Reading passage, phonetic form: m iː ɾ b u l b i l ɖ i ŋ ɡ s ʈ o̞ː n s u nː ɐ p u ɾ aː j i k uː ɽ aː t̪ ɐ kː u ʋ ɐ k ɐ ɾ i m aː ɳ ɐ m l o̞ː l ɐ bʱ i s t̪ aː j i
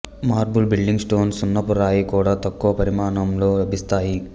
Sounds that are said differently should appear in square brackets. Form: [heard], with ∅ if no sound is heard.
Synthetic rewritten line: m [aː] ɾ b u l b i l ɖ i ŋ ɡ s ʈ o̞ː n s u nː ɐ p u ɾ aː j i k uː ɽ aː t̪ ɐ kː u ʋ ɐ [p] ɐ ɾ i m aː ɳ ɐ m l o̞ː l ɐ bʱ i s t̪ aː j i